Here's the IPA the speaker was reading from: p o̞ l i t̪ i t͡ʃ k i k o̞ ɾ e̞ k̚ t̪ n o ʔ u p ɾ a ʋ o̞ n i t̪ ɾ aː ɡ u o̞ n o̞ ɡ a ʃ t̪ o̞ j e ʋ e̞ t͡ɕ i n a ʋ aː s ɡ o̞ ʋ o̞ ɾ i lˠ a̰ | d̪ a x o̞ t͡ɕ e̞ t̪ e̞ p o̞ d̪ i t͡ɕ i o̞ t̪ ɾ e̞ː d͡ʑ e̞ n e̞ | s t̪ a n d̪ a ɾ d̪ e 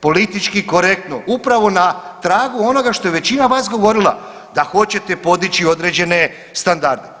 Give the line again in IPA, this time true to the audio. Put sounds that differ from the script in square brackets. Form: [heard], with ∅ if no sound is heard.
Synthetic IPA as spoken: p o̞ l i t̪ i t͡ʃ k i k o̞ ɾ e̞ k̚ t̪ n o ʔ u p ɾ a ʋ o̞ n [a] t̪ ɾ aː ɡ u o̞ n o̞ ɡ a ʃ t̪ o̞ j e ʋ e̞ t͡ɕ i n a ʋ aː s ɡ o̞ ʋ o̞ ɾ i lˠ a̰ | d̪ a x o̞ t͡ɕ e̞ t̪ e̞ p o̞ d̪ i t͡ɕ i o̞ [d̪] ɾ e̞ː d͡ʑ e̞ n e̞ | s t̪ a n d̪ a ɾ d̪ e